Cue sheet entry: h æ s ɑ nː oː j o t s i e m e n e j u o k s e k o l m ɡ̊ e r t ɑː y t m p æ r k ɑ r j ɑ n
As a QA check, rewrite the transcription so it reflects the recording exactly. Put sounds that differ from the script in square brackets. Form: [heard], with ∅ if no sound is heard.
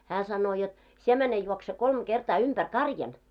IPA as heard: h [æː] s ɑ nː oː j o t s i e m [æ] n e j u o k s e k o l m ɡ̊ e r t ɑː y [∅] m p æ r k ɑ r j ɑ n